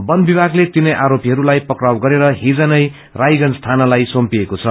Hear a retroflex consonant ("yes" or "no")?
no